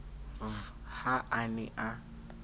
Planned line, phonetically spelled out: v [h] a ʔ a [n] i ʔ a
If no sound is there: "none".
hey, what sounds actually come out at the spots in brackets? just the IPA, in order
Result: h, n

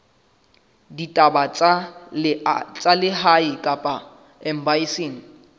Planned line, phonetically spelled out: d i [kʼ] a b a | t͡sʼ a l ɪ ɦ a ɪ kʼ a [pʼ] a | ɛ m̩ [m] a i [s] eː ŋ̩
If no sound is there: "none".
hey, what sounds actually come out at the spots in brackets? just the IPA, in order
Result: tʼ, pʼ, b, s

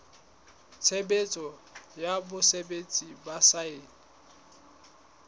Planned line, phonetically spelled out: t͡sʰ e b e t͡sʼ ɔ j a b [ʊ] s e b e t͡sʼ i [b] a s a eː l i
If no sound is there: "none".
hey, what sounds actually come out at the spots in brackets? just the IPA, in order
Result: ʊ, b

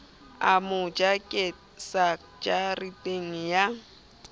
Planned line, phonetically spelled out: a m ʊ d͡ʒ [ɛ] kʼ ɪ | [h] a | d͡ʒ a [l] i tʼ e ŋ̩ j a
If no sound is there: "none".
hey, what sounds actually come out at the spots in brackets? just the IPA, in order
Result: a, s, r

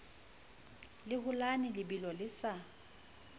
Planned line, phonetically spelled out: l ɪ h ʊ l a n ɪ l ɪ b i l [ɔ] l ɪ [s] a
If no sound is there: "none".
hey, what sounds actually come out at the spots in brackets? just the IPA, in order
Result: ɔ, s

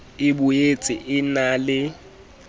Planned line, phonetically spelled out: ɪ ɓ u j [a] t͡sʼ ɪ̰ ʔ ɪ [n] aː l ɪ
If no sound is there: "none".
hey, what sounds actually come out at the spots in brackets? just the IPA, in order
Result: e, n

